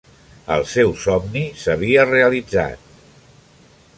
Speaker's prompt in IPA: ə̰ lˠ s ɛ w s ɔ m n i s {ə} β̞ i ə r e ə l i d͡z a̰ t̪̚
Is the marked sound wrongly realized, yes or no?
no